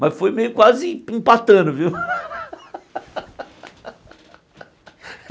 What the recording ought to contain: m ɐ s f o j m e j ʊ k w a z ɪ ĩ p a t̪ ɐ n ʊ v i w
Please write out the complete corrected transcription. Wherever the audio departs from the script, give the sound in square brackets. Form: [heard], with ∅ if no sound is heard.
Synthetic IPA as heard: m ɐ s f o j m e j ʊ k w a z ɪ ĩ p a t̪ [ɐ̃] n ʊ v i w